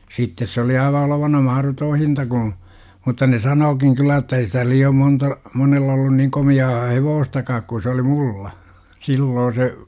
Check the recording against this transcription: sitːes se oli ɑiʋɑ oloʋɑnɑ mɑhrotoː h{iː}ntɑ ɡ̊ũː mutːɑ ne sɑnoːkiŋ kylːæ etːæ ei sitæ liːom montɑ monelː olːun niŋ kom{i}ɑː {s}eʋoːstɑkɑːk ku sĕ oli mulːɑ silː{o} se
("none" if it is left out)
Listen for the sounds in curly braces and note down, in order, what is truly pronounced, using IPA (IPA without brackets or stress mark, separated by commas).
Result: i, i, h, oː